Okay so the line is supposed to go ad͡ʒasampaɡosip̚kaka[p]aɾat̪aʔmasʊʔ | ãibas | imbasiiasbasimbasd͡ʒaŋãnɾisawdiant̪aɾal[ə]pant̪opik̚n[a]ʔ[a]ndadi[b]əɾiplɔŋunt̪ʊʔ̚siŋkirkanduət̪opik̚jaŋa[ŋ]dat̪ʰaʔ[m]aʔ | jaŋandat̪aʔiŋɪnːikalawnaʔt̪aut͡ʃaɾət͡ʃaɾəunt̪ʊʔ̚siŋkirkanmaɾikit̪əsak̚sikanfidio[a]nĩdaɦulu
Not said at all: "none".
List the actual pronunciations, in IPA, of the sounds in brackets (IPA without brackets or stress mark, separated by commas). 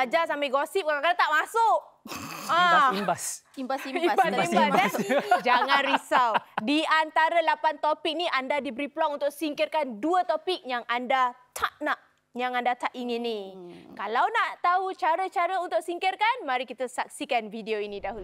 k, a, i, a, b, n, n, i